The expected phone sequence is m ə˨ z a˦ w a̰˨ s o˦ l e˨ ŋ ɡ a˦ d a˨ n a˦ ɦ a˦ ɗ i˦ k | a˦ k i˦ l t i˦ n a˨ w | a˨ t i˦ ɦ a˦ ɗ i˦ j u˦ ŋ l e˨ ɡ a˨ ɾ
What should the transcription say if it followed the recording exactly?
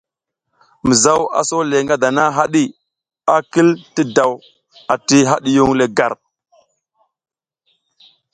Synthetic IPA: m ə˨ z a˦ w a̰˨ s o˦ l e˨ ŋ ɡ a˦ d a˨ n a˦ ɦ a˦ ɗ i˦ | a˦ k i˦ l t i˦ d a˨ w | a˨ t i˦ ɦ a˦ ɗ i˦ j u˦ ŋ l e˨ ɡ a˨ ɾ